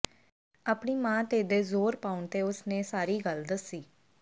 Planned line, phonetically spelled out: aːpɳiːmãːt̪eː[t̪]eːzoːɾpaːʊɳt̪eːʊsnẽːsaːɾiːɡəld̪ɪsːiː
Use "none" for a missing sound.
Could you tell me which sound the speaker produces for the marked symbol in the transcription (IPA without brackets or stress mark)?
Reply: d̪